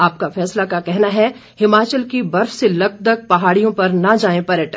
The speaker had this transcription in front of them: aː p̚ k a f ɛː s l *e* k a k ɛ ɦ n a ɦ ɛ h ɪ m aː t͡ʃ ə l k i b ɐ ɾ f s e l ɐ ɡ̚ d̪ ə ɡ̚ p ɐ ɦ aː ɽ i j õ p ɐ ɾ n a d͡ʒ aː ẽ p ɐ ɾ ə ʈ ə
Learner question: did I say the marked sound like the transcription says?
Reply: no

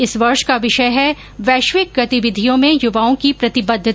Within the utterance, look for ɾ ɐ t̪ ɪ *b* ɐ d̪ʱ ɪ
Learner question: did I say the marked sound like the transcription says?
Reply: yes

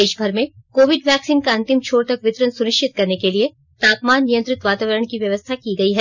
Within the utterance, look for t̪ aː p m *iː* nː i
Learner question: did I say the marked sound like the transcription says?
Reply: no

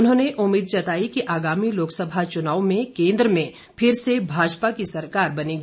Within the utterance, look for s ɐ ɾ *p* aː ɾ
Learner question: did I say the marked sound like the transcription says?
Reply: no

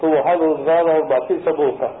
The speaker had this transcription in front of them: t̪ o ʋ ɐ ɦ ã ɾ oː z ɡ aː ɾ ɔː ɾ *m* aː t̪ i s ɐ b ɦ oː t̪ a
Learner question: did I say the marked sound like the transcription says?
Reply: no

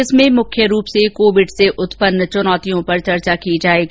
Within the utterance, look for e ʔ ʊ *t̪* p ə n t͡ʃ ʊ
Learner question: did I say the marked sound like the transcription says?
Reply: yes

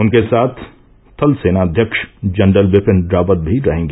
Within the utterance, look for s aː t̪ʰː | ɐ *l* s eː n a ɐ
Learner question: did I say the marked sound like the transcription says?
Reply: yes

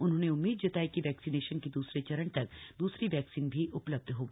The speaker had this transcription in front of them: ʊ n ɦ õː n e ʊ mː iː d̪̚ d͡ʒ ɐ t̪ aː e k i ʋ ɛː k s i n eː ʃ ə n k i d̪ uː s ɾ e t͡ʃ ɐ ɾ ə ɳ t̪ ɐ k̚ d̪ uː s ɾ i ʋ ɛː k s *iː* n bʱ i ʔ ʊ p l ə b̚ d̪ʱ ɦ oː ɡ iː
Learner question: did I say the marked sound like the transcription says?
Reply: yes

